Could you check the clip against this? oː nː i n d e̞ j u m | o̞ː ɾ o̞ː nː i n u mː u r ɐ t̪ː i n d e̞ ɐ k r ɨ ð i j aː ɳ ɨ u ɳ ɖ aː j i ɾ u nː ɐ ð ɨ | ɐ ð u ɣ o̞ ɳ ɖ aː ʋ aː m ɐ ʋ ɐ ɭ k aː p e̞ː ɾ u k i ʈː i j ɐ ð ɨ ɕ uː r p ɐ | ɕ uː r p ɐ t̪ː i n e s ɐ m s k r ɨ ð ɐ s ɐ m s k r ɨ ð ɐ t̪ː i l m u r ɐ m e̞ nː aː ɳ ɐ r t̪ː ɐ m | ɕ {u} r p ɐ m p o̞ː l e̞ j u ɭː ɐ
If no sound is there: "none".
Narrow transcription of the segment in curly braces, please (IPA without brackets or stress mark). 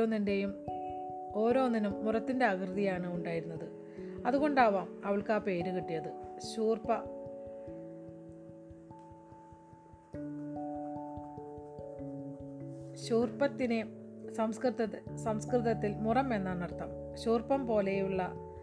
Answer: uː